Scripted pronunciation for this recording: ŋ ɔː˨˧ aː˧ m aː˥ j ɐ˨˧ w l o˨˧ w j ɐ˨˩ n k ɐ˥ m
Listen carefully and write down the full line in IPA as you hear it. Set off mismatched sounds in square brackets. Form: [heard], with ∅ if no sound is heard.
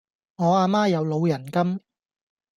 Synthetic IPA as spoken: ŋ ɔː˨˧ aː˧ m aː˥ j ɐ˨˧ w l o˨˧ w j ɐ˨˩ n k ɐ˥ m